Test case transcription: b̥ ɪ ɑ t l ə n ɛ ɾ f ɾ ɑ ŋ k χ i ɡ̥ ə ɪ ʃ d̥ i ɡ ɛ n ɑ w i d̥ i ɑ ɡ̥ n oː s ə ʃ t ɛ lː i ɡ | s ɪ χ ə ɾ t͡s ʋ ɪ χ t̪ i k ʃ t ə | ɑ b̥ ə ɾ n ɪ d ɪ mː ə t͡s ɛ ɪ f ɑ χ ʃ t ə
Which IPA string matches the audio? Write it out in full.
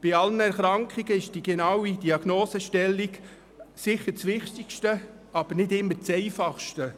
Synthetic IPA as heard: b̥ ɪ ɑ l ə n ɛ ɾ χ ɾ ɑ ŋ k χ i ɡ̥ ə ɪ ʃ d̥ i ɡ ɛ n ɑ w i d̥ i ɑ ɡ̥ n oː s ə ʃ t ɛ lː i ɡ | s ɪ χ ə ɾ t͡s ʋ ɪ χ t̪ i k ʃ t ə | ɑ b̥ ə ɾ n ɪ d ɪ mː ə t͡s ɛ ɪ f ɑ χ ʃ t ə